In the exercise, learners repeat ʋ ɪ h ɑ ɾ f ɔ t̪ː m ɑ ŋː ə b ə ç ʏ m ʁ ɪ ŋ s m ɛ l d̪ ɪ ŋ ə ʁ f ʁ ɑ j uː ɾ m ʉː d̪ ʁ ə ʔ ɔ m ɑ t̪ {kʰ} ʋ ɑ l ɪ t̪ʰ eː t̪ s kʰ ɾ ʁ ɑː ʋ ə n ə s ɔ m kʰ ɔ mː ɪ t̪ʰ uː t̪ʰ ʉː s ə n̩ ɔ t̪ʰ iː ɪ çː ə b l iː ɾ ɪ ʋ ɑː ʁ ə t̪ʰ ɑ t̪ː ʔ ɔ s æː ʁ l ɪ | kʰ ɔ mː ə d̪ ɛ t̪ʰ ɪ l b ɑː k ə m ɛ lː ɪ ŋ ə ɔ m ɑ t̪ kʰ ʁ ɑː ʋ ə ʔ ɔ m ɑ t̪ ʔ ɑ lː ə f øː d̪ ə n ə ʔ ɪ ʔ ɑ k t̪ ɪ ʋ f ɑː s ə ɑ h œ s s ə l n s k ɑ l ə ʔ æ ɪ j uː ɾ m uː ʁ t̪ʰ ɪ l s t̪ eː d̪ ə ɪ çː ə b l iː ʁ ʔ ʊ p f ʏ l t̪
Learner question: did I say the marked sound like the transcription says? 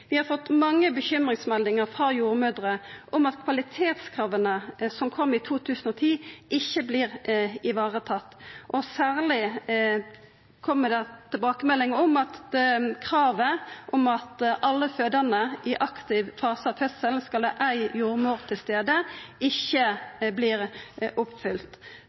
yes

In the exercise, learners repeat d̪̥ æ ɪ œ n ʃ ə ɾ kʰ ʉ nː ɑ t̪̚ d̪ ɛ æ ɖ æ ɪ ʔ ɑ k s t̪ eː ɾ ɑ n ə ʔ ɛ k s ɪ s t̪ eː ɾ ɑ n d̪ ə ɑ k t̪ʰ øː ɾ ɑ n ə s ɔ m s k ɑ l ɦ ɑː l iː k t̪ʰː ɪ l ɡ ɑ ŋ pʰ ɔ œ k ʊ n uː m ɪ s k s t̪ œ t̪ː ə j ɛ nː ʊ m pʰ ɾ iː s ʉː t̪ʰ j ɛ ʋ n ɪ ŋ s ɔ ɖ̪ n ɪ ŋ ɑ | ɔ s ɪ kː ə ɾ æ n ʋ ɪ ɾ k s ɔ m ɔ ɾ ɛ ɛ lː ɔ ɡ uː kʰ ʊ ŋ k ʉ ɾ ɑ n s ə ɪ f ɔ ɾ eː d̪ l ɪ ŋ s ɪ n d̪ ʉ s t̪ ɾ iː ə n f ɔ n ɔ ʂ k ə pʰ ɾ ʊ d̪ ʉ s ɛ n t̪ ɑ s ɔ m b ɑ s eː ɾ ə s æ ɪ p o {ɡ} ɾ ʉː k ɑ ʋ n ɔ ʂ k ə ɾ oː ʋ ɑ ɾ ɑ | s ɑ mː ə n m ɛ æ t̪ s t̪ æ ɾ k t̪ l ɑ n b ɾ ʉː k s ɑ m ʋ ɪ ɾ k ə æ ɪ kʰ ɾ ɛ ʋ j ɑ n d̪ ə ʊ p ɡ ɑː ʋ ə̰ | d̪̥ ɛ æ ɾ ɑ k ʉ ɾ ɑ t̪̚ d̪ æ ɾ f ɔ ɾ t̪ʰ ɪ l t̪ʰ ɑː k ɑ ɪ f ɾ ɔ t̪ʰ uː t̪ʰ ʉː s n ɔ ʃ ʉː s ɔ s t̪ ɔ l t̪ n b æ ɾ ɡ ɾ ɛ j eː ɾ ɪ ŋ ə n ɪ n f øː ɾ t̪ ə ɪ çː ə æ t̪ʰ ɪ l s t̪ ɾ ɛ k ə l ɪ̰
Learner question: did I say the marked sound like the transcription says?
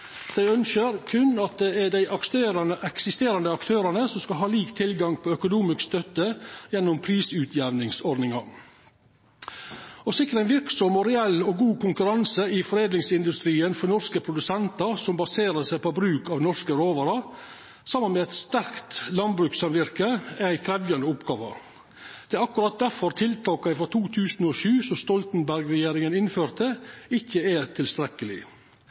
no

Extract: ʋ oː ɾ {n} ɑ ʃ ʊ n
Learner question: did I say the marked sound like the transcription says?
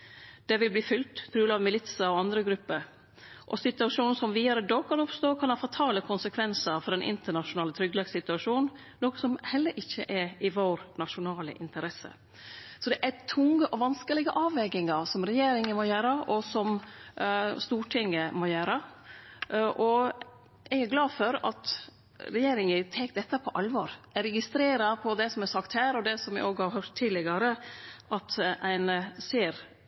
yes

